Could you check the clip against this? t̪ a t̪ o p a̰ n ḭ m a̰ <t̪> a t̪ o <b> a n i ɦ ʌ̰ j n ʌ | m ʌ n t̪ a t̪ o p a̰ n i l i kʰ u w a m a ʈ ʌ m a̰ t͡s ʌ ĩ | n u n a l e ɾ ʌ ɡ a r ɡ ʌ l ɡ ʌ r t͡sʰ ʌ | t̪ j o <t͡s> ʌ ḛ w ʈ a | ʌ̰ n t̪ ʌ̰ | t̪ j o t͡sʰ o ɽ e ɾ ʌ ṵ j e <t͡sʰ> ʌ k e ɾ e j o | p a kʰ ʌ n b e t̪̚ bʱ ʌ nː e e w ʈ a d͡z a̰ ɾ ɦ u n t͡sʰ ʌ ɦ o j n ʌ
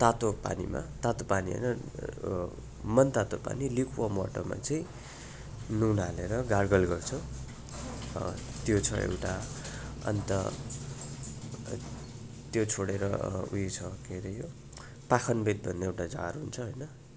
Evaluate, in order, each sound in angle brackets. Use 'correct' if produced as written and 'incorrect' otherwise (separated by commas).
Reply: correct, incorrect, incorrect, correct